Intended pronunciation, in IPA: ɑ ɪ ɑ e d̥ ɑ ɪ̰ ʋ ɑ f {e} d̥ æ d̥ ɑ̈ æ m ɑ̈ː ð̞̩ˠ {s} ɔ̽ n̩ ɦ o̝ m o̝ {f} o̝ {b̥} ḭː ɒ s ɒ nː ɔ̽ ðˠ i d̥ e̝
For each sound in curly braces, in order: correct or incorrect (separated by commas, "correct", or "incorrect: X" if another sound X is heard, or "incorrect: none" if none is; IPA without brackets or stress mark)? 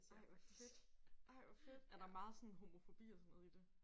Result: correct, correct, correct, correct